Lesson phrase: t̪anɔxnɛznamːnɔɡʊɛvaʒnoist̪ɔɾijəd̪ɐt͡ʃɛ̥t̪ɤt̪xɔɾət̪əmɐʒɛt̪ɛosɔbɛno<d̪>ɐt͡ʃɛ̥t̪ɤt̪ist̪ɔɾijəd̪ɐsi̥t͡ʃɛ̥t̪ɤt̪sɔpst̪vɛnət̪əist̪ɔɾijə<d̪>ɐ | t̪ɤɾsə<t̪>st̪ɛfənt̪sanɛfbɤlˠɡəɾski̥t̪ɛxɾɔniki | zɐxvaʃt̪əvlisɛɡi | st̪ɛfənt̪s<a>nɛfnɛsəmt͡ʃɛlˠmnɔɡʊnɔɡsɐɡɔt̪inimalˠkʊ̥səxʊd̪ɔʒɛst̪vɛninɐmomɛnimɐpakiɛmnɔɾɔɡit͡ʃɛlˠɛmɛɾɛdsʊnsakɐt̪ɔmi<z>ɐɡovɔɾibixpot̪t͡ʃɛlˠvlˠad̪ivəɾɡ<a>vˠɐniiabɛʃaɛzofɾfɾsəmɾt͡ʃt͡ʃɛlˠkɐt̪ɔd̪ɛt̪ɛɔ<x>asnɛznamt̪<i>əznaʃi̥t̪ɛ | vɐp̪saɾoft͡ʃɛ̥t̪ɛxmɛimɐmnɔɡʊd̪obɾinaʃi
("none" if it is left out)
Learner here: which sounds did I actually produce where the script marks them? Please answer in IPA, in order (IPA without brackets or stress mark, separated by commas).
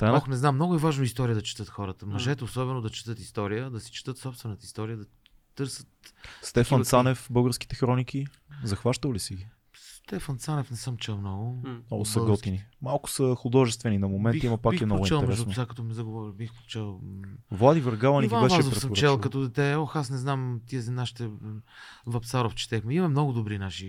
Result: d̪, d̪, t̪, a, z, a, x, i